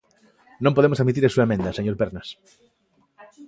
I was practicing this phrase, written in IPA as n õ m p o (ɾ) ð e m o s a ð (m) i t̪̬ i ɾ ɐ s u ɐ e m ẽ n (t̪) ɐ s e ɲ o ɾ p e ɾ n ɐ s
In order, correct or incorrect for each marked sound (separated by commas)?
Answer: incorrect, correct, incorrect